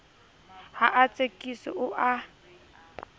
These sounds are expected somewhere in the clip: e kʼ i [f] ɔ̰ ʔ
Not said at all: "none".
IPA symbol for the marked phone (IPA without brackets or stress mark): s